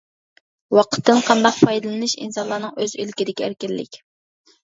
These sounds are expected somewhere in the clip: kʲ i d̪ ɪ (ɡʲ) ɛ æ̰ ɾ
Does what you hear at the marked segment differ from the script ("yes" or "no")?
yes